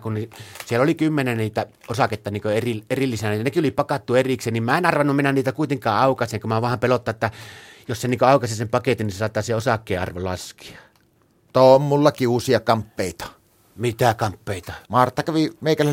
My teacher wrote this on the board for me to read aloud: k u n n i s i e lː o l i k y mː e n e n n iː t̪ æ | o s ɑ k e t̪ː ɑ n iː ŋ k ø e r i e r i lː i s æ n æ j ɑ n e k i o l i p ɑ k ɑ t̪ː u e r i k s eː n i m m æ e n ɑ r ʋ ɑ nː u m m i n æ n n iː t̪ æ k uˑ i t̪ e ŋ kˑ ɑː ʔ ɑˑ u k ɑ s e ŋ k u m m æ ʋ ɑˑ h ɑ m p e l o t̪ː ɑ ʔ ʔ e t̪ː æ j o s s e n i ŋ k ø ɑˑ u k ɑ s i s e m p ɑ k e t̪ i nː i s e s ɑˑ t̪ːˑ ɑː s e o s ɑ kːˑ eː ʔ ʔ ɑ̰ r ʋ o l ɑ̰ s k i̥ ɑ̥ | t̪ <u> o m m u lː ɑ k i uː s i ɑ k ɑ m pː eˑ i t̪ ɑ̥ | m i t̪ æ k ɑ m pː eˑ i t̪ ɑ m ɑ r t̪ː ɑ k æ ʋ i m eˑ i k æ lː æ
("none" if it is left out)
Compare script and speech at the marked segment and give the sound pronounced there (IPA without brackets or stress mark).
o